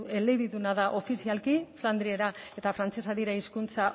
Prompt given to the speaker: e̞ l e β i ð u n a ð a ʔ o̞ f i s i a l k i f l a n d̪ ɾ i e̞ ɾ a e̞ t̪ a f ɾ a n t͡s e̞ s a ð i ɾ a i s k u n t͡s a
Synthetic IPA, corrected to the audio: e̞ l e β i ð u n a ð a ʔ o̞ f i s i a l k i f l a n d̪ ɾ i e̞ ɾ a e̞ t̪ a f ɾ a n t͡s e̞ s a ð i ɾ a i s k u n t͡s a